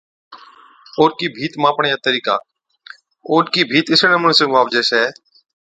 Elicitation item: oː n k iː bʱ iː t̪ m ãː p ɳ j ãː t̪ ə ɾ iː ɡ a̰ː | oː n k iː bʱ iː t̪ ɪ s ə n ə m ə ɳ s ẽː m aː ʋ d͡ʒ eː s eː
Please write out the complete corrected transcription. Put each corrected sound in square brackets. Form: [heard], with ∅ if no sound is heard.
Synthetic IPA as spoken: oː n k iː bʱ iː t̪ m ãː p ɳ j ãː t̪ ə ɾ iː [k] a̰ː | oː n k iː bʱ iː t̪ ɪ s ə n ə m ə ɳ s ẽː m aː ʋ d͡ʒ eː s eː